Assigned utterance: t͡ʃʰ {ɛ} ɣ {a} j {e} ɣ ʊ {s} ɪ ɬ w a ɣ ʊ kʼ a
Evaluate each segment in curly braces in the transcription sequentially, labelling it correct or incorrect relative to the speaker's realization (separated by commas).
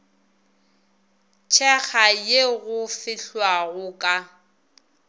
correct, correct, correct, incorrect